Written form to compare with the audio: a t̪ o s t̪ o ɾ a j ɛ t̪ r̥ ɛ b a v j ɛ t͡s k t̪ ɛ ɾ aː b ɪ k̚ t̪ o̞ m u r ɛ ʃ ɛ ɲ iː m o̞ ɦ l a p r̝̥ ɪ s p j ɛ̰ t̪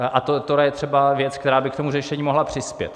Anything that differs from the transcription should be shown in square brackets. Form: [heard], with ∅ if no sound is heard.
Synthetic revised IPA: a t̪ o [∅] t̪ o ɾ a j ɛ t̪ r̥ ɛ b a v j ɛ t͡s k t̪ ɛ ɾ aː b ɪ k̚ t̪ o̞ m u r ɛ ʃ ɛ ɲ iː m o̞ ɦ l a p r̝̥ ɪ s p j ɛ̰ t̪